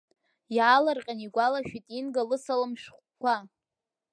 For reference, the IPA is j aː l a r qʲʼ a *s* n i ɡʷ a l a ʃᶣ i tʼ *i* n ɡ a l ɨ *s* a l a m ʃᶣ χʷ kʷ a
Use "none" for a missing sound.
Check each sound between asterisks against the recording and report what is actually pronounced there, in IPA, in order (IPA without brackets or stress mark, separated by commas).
none, i, s